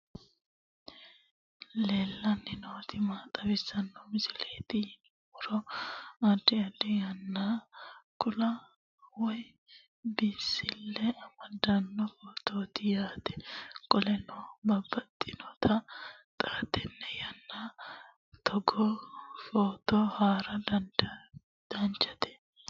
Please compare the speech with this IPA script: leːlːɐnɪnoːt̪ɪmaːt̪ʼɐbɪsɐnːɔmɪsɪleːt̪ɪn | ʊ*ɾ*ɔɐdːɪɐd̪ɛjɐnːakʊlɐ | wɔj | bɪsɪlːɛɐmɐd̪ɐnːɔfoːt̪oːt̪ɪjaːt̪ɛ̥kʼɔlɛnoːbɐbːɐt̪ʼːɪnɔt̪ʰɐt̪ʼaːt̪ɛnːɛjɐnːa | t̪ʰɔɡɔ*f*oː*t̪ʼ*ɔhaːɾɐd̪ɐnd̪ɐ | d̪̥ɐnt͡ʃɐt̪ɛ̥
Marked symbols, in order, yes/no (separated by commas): yes, yes, no